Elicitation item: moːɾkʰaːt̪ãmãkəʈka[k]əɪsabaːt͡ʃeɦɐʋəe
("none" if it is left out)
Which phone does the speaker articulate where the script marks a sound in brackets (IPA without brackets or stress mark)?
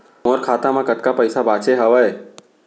p